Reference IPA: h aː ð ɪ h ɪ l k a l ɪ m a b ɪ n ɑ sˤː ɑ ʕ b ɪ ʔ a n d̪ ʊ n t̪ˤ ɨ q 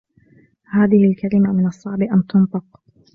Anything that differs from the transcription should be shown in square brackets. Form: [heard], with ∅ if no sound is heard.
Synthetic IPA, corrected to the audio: h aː ð ɪ h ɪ l k a l ɪ m a [m] ɪ n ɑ sˤː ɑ ʕ b ɪ ʔ a n [t̪] ʊ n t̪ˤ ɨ q